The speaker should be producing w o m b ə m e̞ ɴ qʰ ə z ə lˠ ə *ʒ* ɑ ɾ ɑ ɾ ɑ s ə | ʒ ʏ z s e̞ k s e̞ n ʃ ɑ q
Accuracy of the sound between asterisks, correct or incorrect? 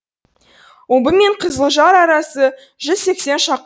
correct